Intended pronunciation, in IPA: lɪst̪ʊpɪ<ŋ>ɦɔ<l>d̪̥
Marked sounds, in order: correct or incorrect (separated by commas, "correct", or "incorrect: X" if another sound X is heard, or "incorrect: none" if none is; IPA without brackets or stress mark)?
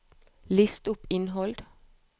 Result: incorrect: n, correct